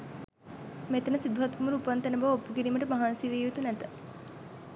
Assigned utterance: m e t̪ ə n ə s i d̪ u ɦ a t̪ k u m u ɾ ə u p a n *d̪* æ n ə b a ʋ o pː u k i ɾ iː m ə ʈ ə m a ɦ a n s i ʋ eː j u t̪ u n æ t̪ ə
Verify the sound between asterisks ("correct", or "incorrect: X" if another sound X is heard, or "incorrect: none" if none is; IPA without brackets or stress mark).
incorrect: t̪